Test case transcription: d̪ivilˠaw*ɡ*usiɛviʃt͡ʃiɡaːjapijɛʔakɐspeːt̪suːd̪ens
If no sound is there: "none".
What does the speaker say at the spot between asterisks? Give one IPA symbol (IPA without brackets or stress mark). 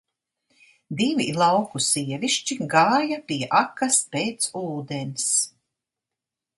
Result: k